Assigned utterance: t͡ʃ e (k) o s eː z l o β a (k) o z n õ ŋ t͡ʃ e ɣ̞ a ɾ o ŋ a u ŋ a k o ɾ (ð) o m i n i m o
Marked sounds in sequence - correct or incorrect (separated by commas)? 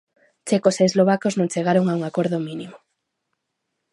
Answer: correct, correct, correct